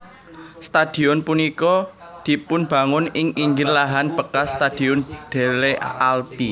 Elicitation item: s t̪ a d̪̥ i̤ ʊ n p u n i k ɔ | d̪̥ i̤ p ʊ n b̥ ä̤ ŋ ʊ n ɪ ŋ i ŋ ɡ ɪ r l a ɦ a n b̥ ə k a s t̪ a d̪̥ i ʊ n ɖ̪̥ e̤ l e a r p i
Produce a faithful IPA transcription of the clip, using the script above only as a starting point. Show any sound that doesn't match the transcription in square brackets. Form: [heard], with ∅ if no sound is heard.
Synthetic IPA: s t̪ a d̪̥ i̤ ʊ n p u n i k ɔ | d̪̥ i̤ p ʊ n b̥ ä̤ ŋ ʊ n ɪ ŋ i ŋ ɡ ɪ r l a ɦ a n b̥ ə k a s t̪ a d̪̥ i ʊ n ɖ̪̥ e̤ l e a [l] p i

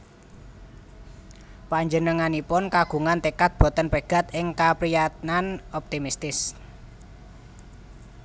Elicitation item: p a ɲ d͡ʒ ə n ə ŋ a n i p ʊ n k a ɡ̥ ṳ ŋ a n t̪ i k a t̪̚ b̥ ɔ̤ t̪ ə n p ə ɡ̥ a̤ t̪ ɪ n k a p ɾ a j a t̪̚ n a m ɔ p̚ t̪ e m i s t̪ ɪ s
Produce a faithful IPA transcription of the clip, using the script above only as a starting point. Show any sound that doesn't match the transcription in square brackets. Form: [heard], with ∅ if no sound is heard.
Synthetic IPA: p a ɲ d͡ʒ ə n ə ŋ a n i p ʊ n k a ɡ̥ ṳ ŋ a n t̪ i k a t̪̚ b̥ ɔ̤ t̪ ə n p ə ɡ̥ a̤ t̪ ɪ [ŋ] k a p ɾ [i] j a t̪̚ n a [n] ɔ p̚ t̪ [i] m i s t̪ ɪ s

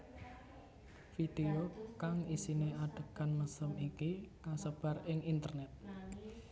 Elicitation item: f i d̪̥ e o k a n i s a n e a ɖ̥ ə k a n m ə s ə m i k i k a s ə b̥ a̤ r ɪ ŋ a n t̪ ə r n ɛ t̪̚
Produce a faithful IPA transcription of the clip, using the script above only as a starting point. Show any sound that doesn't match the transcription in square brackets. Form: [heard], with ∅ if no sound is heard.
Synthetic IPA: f i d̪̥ e o k a [ŋ] i s [i] n e a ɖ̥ ə k a n m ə s ə m i k i k a s ə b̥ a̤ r ɪ ŋ [i] n t̪ ə r n ɛ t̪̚

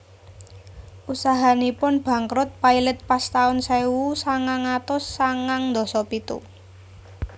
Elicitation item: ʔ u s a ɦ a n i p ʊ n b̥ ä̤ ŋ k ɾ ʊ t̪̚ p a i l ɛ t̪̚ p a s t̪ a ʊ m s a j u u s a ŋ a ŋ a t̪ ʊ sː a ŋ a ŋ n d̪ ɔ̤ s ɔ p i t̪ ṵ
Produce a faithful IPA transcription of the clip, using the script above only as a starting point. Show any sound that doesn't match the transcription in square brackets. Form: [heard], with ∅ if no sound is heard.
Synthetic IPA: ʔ u s a ɦ a n i p ʊ n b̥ ä̤ ŋ k ɾ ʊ t̪̚ p a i l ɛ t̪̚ p a s t̪ a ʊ [n] s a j [w] u s a ŋ a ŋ a t̪ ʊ sː a ŋ a ŋ n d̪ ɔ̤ s ɔ p i t̪ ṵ

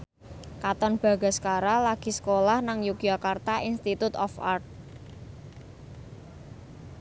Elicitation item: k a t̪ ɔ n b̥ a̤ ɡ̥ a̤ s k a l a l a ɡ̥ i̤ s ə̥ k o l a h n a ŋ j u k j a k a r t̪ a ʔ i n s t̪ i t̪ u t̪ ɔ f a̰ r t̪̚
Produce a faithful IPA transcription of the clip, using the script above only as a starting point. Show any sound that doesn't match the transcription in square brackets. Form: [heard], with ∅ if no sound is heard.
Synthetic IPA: k a t̪ ɔ n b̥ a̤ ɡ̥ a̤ s k a [ɾ] a l a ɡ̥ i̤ s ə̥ k o l a h n a ŋ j u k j a k a r t̪ a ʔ i n s t̪ i t̪ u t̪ ɔ f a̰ r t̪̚

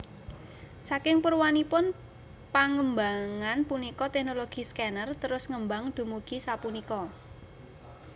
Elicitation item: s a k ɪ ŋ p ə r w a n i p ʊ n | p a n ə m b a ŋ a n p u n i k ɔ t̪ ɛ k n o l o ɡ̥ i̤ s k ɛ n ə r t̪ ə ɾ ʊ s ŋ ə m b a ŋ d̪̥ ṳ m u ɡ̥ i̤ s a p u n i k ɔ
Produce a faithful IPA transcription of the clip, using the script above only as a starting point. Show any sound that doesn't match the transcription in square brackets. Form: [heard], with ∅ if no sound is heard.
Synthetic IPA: s a k ɪ ŋ p ə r w a n i p ʊ n | p a [ŋ] ə m b a ŋ a n p u n i k ɔ t̪ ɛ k n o l o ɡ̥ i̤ s k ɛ n ə r t̪ ə ɾ ʊ s ŋ ə m b a ŋ d̪̥ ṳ m u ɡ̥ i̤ s a p u n i k ɔ

